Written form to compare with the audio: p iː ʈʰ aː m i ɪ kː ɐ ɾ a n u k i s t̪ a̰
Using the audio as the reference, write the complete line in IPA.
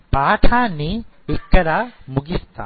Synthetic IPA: p aː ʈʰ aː n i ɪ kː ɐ ɾ a m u ɡ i s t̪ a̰

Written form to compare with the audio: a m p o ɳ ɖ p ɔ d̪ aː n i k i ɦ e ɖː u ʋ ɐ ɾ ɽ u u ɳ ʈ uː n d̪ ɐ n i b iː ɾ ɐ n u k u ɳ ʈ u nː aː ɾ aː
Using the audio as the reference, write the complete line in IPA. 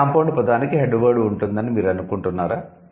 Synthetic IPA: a m p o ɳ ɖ p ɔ d̪ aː n i k i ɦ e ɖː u ʋ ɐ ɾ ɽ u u ɳ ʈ u n d̪ ɐ n i m iː ɾ ɐ n u k u ɳ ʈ u nː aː ɾ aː

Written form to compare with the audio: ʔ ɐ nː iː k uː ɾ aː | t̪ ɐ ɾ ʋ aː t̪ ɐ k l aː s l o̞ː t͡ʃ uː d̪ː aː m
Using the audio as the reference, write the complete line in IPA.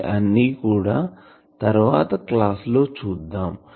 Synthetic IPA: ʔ ɐ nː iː k uː ɽ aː | t̪ ɐ ɾ ʋ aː t̪ ɐ k l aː s l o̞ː t͡ʃ uː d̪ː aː m

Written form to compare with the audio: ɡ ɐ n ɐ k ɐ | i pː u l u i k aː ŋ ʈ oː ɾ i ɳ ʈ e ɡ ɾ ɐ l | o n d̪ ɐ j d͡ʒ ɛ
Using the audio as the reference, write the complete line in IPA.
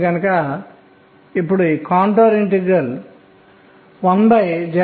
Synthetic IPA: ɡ ɐ n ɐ k ɐ | i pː u ɽ u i k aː ɳ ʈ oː ɾ i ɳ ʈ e ɡ ɾ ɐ l | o n d̪ ɐ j d͡ʒ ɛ

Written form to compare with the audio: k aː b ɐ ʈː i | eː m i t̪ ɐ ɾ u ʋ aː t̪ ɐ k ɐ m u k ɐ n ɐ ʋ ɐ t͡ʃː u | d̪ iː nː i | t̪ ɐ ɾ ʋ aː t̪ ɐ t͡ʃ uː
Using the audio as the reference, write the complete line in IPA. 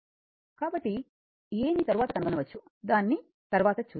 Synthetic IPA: k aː b ɐ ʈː i | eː m i t̪ ɐ ɾ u ʋ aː t̪ ɐ k ɐ n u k ɐ n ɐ ʋ ɐ t͡ʃː u | d̪ aː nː i | t̪ ɐ ɾ ʋ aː t̪ ɐ t͡ʃ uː

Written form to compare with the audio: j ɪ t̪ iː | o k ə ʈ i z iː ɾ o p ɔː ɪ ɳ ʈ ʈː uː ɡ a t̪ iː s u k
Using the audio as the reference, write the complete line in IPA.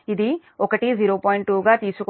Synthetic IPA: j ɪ d̪ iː | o k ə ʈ i z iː ɾ o p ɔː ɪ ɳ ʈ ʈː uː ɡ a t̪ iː s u k

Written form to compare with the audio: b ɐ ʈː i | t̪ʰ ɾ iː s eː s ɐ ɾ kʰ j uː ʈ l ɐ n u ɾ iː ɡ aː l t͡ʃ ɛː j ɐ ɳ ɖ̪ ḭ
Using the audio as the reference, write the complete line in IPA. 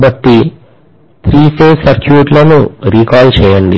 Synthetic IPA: b ɐ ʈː i | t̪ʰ ɾ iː s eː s ɐ ɾ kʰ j uː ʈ l ɐ n u ɾ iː k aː l t͡ʃ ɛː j ɐ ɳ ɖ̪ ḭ

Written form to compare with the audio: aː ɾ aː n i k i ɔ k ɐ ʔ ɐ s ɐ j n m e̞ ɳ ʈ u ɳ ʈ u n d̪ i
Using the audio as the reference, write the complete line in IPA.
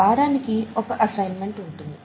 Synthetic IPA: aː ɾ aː n i k i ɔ k ɐ ʔ ɐ s ɐ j n m e̞ ɳ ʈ u ɳ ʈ u n d̪ i

